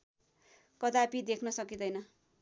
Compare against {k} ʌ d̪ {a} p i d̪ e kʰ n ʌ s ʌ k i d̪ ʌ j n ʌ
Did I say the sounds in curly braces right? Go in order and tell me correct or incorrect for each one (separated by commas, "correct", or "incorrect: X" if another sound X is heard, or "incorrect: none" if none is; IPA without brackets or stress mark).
correct, correct